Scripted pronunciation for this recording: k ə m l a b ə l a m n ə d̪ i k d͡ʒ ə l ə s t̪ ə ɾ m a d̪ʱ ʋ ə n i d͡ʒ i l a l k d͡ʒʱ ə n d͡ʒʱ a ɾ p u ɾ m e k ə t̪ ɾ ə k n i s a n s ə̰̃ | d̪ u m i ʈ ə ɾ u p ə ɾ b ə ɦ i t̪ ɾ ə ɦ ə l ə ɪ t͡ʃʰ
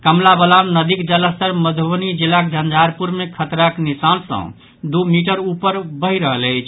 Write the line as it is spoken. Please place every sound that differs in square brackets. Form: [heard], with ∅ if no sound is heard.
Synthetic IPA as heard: k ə m l a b ə l a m n ə d̪ i k d͡ʒ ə l ə s t̪ ə ɾ m [ə] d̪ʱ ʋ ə n i d͡ʒ i l a [∅] k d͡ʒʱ ə n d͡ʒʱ a ɾ p u ɾ m e [kʰ] ə t̪ ɾ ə k n i s a n s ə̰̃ | d̪ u m i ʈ ə ɾ u p ə ɾ b ə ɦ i [∅] ɾ ə ɦ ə l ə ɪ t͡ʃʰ